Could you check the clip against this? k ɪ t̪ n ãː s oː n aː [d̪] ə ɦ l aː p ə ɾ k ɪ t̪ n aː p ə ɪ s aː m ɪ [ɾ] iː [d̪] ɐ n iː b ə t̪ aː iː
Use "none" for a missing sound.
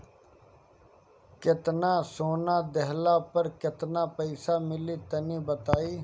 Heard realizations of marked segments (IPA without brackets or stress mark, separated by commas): d̪, l, t̪